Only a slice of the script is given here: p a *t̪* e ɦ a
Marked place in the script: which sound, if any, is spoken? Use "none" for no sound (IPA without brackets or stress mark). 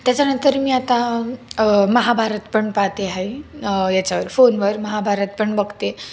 t̪